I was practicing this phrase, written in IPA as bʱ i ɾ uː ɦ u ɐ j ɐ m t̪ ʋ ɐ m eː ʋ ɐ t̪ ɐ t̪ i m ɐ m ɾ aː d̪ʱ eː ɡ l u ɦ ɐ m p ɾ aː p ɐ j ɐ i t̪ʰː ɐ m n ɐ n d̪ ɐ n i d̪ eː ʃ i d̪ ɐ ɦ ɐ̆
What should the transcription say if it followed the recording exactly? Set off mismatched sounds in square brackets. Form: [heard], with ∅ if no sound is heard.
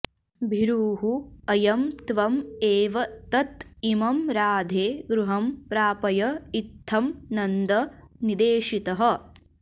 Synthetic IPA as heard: bʱ i ɾ uː ɦ u ɐ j ɐ m t̪ ʋ ɐ m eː ʋ ɐ t̪ ɐ t̪ i m ɐ m ɾ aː d̪ʱ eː ɡ [ɾ] u ɦ ɐ m p ɾ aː p ɐ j ɐ i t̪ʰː ɐ m n ɐ n d̪ ɐ n i d̪ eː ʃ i [t̪] ɐ ɦ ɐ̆